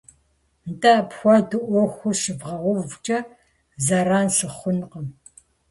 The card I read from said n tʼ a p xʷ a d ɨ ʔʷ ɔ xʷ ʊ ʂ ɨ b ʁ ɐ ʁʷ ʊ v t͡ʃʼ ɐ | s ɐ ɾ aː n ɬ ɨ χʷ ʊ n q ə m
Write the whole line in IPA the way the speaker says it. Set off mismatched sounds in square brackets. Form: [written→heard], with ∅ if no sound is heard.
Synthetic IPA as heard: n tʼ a p xʷ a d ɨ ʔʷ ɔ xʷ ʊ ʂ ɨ [b→v] ʁ ɐ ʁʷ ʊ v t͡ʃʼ ɐ | [s→z] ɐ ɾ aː n ɬ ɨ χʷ ʊ n q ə m